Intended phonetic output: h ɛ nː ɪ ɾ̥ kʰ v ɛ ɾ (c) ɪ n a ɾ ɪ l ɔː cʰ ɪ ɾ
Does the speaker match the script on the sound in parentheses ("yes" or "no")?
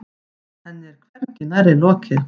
yes